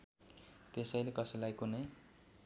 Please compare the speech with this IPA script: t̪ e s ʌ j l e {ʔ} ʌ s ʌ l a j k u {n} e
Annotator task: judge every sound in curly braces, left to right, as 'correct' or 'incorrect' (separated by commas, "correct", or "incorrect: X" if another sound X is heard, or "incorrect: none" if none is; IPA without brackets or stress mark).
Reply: incorrect: k, correct